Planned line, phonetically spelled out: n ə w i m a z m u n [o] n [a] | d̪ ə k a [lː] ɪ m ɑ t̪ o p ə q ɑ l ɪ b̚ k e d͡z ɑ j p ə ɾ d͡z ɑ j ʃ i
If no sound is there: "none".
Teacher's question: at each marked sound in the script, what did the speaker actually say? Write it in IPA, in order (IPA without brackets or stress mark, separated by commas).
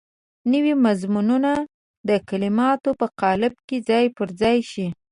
u, a, l